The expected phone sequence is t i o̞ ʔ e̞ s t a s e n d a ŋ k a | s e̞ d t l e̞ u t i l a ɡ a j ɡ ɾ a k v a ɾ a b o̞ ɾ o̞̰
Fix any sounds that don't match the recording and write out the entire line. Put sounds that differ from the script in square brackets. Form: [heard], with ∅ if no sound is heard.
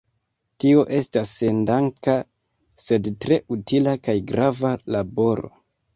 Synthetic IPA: t i o̞ ʔ e̞ s t a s e n d a ŋ k a | s e̞ d t [ɾ] e̞ u t i l a [k] a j ɡ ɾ a [∅] v a [l] a b o̞ ɾ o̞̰